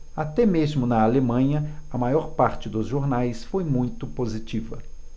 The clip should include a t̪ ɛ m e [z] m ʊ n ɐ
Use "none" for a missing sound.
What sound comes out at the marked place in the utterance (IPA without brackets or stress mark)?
z